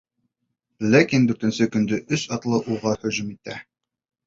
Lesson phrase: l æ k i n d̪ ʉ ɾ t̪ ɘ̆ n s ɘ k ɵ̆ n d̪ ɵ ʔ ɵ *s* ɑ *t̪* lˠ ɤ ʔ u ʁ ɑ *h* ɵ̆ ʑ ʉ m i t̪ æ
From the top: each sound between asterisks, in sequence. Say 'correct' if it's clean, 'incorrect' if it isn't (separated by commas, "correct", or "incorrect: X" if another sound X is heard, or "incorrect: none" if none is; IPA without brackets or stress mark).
correct, correct, correct